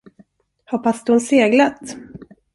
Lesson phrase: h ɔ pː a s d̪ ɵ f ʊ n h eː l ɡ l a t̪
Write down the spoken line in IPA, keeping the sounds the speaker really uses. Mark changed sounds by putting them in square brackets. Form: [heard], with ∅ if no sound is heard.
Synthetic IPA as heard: h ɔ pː a s d̪ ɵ [h] ʊ n [s] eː [∅] ɡ l a t̪